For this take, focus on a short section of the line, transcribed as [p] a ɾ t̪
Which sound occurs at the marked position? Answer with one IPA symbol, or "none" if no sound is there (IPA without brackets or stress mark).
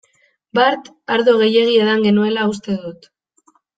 b